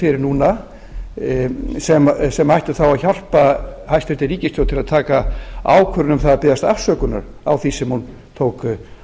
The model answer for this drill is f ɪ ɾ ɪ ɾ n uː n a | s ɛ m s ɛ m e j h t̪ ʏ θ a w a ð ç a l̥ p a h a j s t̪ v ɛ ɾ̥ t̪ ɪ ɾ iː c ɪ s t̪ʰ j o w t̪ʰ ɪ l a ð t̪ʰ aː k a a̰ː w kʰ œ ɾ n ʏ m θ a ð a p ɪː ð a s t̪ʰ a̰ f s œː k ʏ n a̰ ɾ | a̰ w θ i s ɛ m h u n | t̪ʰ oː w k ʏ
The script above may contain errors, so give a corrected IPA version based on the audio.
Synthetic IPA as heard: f ɪ ɾ ɪ ɾ n uː n a | s ɛ m s ɛ m a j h t̪ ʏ θ a w a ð ç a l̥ p a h a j s t̪ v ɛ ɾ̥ t̪ ɪ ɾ iː c ɪ s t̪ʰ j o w t̪ʰ ɪ l a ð t̪ʰ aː k a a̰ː w kʰ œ ɾ n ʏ m θ a ð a p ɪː ð a s t̪ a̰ f s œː k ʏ n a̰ ɾ | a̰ w θ i s ɛ m h u n | t̪ʰ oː w k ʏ